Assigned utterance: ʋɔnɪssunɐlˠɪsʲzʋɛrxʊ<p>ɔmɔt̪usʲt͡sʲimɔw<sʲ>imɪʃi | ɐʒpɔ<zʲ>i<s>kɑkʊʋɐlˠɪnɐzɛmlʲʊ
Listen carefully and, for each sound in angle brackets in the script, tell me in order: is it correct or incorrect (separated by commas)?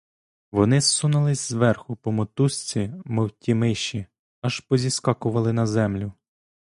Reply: correct, incorrect, correct, correct